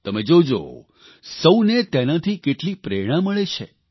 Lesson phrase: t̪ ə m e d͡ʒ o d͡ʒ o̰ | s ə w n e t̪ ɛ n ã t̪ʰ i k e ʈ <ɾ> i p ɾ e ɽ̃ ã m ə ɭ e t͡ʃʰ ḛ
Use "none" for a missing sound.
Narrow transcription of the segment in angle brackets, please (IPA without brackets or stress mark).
l